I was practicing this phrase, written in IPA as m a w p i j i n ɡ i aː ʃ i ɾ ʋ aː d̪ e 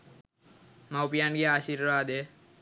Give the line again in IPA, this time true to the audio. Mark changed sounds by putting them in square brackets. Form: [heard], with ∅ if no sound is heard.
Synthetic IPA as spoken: m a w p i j [a] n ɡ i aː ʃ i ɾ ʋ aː d̪ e